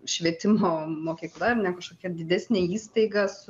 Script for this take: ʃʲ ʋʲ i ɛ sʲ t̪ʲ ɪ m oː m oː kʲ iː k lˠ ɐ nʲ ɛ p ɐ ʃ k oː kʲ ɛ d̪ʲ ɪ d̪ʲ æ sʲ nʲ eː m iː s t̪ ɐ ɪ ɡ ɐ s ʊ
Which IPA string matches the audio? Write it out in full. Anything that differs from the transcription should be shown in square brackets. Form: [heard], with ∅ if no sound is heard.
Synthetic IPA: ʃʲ ʋʲ i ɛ [∅] t̪ʲ ɪ m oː m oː kʲ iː k lˠ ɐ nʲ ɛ [k] ɐ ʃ k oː kʲ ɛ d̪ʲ ɪ d̪ʲ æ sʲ nʲ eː [∅] iː s t̪ ɐ ɪ ɡ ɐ s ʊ